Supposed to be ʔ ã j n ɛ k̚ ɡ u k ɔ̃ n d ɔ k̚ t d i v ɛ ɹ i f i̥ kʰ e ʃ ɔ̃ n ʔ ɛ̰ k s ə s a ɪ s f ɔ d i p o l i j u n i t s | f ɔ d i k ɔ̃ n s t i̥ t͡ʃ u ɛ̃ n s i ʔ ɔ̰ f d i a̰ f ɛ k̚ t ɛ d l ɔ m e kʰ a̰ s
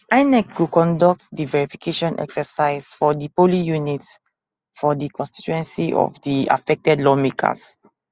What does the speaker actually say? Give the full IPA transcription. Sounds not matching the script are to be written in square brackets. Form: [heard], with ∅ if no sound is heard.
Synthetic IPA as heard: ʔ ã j n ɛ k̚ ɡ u k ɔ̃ n d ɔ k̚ t d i v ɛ ɹ i f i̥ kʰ e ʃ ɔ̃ n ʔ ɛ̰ k s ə s a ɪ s f ɔ d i p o l i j u n i t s | f ɔ d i k ɔ̃ n s t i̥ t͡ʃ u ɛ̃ n s i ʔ ɔ̰ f d i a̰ f ɛ k̚ t ɛ d l ɔ m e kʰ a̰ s